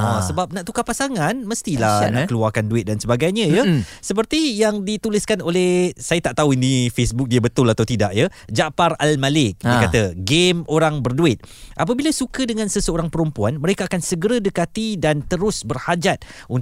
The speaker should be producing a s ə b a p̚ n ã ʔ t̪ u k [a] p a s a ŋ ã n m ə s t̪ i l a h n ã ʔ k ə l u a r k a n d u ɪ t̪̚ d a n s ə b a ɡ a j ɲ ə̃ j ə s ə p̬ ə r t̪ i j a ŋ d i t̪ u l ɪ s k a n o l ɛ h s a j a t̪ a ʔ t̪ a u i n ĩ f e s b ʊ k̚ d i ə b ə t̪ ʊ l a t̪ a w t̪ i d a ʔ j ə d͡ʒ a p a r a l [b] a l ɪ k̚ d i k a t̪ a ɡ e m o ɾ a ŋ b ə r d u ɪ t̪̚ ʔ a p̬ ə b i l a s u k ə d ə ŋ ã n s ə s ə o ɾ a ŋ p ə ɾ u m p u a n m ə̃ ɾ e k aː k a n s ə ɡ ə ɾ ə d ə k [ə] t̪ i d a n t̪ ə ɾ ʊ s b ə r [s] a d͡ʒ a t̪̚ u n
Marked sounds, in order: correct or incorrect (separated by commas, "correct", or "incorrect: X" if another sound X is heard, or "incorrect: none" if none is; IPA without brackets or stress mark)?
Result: correct, incorrect: m, incorrect: a, incorrect: h